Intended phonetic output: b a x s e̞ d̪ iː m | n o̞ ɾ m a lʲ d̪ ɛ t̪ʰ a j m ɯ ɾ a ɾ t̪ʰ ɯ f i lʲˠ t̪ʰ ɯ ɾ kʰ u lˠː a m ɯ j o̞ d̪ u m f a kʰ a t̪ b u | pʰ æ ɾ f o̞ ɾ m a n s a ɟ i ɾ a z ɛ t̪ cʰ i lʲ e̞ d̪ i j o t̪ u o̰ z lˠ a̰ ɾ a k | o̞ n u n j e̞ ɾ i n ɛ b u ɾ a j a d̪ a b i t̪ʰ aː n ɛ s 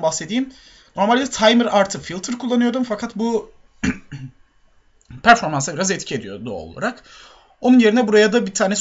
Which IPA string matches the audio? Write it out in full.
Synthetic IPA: b a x s e̞ d̪ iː m | n o̞ ɾ m a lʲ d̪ ɛ t̪ʰ a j m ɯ ɾ a ɾ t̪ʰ ɯ f i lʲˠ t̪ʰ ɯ ɾ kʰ u lˠː a n ɯ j o̞ d̪ u m f a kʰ a t̪ b u | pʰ æ ɾ f o̞ ɾ m a n s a b i ɾ a z ɛ t̪ cʰ i e̞ d̪ i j o d̪ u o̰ lˠ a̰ ɾ a k | o̞ n u n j e̞ ɾ i n ɛ b u ɾ a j a d̪ a b i t̪ʰ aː n ɛ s